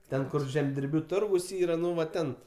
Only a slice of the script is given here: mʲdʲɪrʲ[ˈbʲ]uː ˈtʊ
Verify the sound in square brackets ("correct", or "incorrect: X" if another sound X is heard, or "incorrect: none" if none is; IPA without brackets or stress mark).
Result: correct